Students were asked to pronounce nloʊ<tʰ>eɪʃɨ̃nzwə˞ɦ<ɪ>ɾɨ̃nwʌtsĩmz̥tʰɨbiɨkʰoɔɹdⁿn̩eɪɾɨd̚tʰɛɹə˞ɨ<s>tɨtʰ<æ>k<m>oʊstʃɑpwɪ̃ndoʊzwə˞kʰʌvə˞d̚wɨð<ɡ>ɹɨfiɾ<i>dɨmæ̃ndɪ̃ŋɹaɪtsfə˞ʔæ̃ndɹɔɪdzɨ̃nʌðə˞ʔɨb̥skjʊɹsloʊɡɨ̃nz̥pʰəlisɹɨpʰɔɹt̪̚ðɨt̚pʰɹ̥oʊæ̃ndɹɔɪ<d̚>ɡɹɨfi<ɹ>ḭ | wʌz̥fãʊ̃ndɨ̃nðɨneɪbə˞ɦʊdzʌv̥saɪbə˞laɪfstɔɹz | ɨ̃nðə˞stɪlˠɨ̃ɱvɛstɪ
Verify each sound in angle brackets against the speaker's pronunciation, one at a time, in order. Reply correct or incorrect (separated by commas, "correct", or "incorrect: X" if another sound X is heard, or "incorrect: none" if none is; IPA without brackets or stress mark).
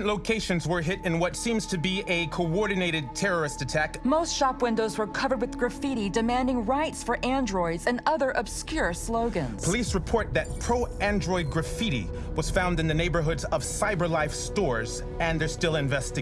incorrect: kʰ, correct, correct, correct, correct, correct, correct, correct, incorrect: ɾ